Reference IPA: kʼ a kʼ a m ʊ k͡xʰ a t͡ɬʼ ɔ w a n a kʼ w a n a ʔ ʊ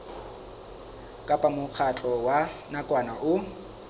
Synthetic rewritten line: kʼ a pʼ a m ʊ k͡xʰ a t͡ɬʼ ɔ w a n a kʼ w a n a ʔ ʊ